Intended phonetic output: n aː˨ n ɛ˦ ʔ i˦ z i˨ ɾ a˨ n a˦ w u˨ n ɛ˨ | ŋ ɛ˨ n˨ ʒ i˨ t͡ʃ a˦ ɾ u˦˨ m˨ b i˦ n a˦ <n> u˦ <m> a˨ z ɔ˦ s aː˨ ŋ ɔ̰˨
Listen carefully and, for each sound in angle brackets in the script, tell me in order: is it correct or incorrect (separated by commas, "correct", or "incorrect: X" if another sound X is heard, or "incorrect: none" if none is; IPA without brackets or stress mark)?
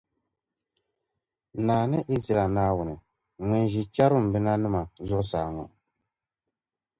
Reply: correct, correct